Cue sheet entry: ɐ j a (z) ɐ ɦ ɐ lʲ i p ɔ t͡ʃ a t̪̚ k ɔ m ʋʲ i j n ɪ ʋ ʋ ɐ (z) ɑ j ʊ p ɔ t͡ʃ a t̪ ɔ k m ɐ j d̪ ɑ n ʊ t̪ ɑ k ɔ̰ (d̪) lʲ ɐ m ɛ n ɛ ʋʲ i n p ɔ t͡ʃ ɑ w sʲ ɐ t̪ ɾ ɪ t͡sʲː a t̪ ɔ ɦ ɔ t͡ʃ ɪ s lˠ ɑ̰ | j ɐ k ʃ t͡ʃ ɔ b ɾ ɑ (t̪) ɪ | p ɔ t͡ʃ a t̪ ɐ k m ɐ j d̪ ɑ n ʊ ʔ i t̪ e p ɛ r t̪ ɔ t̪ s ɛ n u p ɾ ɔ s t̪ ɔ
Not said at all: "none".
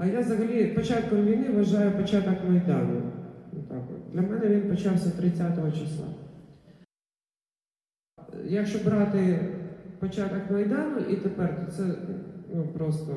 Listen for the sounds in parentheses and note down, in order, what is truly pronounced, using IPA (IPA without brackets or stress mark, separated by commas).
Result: z, ʒ, d̪, t̪